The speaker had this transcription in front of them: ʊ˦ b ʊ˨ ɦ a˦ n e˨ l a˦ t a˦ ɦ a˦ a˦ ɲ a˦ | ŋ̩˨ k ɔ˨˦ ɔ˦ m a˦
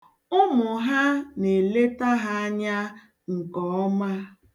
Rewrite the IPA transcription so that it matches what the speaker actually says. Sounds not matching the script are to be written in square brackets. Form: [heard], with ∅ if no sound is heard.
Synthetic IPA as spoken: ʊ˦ [m] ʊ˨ ɦ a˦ n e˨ l [e˦] t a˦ ɦ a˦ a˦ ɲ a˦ | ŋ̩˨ k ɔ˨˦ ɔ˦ m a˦

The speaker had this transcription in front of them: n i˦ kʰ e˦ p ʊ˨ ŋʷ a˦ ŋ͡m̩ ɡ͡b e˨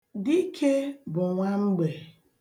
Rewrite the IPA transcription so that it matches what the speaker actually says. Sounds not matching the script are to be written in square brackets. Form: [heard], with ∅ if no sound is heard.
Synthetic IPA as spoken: [d] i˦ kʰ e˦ [b] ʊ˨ ŋʷ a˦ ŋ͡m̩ ɡ͡b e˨

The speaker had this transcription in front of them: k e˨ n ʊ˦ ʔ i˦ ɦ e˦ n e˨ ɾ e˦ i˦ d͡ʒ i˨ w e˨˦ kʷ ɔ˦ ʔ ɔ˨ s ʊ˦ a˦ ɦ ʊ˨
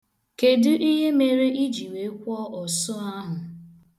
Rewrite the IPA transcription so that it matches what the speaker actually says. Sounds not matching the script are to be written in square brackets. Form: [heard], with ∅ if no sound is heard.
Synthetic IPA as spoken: k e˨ [d] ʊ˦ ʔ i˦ ɦ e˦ [m] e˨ ɾ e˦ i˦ d͡ʒ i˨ w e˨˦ kʷ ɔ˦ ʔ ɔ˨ s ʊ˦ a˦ ɦ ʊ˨

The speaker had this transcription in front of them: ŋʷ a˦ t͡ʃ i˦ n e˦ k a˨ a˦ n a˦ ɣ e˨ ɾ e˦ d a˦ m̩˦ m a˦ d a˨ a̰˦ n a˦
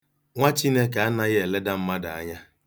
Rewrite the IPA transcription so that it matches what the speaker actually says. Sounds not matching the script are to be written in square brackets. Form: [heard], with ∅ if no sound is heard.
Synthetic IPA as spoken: ŋʷ a˦ t͡ʃ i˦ n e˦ k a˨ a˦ n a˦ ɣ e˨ [l] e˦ d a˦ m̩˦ m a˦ d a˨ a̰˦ [ɲ] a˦

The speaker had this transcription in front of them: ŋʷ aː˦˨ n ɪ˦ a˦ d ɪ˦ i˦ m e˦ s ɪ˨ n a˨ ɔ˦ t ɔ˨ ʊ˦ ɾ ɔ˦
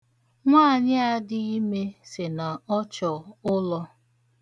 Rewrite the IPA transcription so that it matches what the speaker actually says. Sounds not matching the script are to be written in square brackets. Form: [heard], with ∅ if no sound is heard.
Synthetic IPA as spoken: ŋʷ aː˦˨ [ɲ] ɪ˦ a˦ d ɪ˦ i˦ m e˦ s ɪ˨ n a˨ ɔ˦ [t͡ʃ] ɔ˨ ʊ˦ [l] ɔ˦

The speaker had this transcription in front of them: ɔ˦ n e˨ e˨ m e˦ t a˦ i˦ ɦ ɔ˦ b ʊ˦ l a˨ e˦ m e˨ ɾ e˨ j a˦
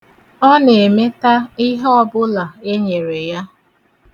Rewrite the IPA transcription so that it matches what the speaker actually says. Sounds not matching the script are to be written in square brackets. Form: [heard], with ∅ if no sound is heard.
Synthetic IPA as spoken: ɔ˦ n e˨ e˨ m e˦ t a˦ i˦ ɦ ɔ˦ b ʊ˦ l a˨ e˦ [ɲ] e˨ ɾ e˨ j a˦

